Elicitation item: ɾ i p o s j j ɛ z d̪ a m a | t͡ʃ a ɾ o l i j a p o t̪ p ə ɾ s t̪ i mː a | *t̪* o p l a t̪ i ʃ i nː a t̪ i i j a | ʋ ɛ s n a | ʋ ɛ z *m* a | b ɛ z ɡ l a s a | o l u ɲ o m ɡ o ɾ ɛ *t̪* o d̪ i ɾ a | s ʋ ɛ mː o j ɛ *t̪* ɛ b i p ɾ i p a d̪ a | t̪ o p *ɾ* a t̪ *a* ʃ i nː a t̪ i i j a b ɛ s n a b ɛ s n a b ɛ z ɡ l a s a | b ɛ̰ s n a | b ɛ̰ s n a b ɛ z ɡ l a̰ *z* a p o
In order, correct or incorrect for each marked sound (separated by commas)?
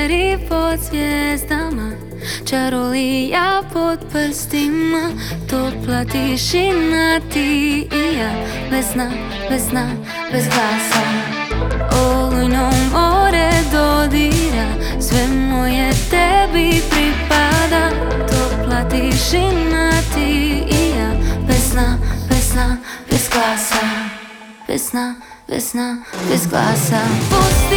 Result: correct, incorrect, incorrect, correct, incorrect, incorrect, incorrect